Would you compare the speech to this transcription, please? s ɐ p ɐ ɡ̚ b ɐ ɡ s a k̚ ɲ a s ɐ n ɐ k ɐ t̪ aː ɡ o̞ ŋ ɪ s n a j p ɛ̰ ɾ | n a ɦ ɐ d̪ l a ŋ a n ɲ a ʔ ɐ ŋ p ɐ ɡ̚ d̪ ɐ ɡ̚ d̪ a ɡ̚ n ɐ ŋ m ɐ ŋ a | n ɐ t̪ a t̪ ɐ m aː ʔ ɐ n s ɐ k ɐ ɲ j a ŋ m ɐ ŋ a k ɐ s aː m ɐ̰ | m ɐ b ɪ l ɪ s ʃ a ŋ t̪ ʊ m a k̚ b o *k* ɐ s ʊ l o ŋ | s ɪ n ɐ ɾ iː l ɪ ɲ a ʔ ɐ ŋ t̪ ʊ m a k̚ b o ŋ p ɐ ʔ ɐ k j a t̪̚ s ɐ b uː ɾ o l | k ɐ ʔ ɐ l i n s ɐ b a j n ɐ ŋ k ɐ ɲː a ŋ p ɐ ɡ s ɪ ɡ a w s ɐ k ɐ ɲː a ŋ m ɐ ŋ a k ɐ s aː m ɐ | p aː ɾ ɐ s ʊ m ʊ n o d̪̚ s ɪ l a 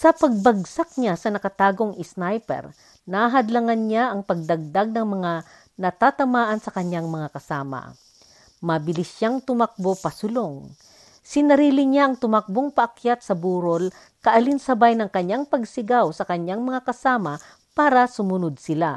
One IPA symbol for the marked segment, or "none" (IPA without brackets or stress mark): p